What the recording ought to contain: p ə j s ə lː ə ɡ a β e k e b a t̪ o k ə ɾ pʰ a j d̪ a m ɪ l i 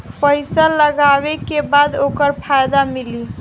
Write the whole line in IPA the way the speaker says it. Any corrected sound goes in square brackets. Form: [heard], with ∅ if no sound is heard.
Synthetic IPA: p ə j s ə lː ə ɡ a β e k e b a [d̪] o k ə ɾ pʰ a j d̪ a m [i] l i

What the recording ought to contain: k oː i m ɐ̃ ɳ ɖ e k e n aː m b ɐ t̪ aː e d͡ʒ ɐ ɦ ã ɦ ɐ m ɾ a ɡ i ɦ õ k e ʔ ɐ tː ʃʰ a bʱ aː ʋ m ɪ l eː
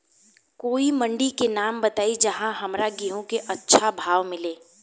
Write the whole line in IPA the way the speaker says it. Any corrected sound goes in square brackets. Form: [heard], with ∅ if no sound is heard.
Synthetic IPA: k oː i m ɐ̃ ɳ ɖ [i] k e n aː m b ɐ t̪ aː [i] d͡ʒ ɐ ɦ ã ɦ ɐ m ɾ a ɡ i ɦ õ k e ʔ ɐ tː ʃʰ a bʱ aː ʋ m ɪ l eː

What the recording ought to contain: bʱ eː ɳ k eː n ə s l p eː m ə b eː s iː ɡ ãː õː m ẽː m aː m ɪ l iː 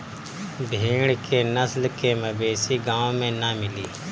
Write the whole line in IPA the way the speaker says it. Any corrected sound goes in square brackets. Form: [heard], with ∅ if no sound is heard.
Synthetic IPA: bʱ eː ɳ k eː n ə s l [k] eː m ə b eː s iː ɡ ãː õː m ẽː [n] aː m ɪ l iː

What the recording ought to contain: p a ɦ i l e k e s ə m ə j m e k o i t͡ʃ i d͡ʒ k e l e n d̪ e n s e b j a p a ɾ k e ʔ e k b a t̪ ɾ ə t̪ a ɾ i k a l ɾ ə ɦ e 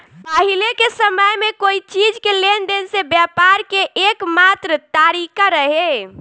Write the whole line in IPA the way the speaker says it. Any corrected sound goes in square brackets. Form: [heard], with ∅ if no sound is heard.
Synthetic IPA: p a ɦ i l e k e s ə m ə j m e k o i t͡ʃ i d͡ʒ k e l e n d̪ e n s e b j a p a ɾ k e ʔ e k [m] a t̪ ɾ ə t̪ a ɾ i k a [∅] ɾ ə ɦ e

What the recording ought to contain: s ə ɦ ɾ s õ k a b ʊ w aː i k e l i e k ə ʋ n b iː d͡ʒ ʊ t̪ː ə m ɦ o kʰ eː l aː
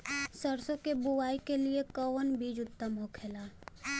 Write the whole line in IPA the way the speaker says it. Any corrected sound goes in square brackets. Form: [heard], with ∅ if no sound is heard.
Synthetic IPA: s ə [∅] ɾ s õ k [e] b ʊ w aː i k e l i e k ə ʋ n b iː d͡ʒ ʊ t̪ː ə m ɦ o kʰ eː l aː

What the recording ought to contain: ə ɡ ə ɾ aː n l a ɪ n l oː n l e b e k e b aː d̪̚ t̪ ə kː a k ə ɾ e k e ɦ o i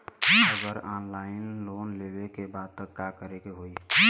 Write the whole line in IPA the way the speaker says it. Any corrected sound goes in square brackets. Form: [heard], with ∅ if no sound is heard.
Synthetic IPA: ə ɡ ə ɾ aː n l a ɪ n l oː n l e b e k e b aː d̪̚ t̪ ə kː a k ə ɾ e k e ɦ o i

